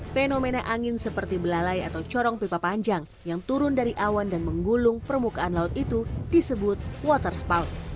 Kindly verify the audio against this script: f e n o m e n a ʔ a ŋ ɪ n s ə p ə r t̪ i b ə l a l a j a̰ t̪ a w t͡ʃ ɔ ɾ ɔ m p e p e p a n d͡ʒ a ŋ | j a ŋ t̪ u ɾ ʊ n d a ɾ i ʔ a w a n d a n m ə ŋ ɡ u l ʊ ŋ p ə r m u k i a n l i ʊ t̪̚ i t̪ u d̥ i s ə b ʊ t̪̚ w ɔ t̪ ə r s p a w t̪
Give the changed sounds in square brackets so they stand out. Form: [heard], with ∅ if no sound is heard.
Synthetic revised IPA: f e n o m e n a ʔ a ŋ ɪ n s ə p ə r t̪ i b ə l a l a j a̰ t̪ a w t͡ʃ ɔ ɾ ɔ [ŋ] p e p [a] p a [ɲ] d͡ʒ a ŋ | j a ŋ t̪ u ɾ ʊ n d a ɾ i ʔ a w a n d a n m ə ŋ ɡ u l ʊ ŋ p ə r m u k [a] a n l [a] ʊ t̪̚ i t̪ u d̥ i s ə b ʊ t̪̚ w ɔ t̪ ə r s p a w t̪